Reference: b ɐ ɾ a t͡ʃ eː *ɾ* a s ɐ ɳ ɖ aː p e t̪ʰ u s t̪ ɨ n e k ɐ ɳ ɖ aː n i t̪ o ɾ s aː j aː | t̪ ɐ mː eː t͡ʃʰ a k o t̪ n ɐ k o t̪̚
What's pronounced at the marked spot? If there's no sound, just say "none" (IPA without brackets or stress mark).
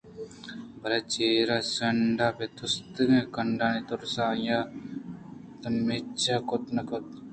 ɾ